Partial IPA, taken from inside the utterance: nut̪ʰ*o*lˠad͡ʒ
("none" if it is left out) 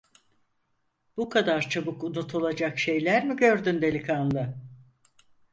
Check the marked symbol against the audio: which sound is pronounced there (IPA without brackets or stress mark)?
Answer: u